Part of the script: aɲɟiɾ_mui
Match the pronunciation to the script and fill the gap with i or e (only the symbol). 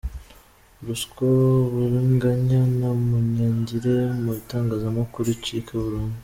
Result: e